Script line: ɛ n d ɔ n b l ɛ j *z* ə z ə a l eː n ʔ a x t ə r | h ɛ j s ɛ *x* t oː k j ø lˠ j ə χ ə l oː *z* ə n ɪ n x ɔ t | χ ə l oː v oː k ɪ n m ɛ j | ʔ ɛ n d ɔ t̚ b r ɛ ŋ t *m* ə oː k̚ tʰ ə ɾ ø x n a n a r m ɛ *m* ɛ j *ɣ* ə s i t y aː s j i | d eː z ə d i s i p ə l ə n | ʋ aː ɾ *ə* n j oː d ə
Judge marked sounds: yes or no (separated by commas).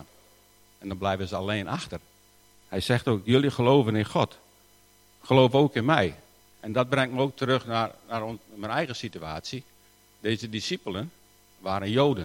no, yes, no, yes, no, yes, yes